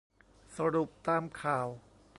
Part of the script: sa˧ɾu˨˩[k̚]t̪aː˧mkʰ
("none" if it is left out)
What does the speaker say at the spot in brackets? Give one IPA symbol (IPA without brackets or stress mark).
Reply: p̚